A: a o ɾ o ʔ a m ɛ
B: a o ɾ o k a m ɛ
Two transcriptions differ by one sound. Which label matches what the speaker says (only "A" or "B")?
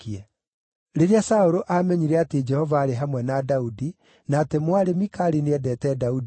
A